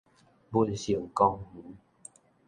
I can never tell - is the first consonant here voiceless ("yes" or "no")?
no